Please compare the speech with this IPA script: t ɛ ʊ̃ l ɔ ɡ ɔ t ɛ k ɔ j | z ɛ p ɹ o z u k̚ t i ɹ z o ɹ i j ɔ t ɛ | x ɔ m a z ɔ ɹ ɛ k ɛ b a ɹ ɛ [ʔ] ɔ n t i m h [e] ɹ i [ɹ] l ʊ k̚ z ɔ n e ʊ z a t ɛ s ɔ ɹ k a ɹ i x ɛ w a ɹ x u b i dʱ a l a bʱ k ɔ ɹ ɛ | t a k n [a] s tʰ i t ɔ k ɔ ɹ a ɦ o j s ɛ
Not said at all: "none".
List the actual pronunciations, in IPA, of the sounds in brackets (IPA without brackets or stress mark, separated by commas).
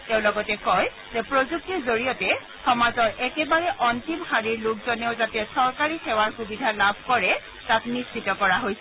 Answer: ʔ, a, ɹ, i